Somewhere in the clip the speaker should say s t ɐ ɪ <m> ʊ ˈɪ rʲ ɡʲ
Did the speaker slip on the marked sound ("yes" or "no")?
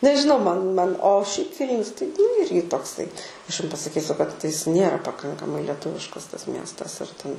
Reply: yes